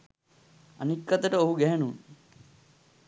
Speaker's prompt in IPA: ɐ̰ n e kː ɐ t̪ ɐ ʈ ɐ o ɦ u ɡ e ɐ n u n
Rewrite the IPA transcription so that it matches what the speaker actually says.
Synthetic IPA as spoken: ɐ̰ n i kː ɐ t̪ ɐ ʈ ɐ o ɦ u ɡ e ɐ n u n